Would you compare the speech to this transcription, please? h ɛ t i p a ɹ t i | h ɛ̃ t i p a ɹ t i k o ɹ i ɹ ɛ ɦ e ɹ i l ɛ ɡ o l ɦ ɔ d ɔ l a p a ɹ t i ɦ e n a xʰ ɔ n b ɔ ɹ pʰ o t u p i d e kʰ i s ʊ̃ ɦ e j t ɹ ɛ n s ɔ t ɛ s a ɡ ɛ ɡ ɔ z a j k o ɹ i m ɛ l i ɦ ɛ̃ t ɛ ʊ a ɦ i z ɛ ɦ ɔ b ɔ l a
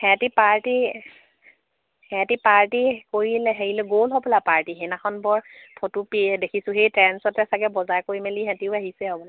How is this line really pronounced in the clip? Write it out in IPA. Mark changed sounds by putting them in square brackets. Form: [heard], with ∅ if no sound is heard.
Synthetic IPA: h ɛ t i p a ɹ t i | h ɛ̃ t i p a ɹ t i k o ɹ i [l] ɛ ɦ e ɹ i l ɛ ɡ o l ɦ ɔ [b] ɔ l a p a ɹ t i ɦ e n a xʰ ɔ n b ɔ ɹ pʰ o t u p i d e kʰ i s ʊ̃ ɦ e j t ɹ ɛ n s ɔ t ɛ s a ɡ ɛ [b] ɔ z a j k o ɹ i m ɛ l i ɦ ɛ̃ t [i] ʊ a ɦ i [s] ɛ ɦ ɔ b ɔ l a